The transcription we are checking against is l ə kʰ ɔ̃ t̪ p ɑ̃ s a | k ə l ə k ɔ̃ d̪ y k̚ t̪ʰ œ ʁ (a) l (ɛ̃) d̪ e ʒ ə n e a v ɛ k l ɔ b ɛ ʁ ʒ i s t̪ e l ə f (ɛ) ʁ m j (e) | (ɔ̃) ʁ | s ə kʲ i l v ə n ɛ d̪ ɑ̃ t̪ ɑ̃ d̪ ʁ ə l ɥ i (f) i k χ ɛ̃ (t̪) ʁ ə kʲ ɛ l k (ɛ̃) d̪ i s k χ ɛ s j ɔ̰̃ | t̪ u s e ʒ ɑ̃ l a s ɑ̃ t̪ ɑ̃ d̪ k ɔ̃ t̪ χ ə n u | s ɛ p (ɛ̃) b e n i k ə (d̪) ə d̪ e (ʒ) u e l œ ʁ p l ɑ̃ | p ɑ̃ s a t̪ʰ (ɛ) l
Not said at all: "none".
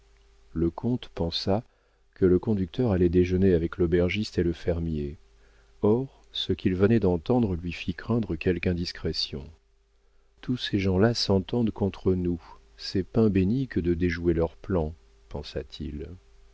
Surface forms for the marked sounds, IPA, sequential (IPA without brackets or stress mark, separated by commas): a, ɛ, ɛ, e, ɔ, f, d̪, ɛ̃, ɛ̃, d̪, ʒ, i